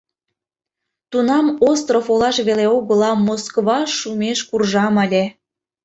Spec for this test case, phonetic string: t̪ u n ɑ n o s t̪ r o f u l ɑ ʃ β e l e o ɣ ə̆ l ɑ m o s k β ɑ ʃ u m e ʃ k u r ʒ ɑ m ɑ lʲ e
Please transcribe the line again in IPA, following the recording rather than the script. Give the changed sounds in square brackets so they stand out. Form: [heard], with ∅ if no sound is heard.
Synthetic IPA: t̪ u n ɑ [m] o s t̪ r o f [o] l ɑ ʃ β e l e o ɣ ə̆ l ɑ m o s k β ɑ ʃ u m e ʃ k u r ʒ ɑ m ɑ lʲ e